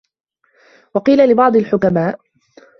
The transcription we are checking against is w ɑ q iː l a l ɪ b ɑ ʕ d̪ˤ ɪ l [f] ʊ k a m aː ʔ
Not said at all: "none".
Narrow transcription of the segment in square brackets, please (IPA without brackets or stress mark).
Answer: ħ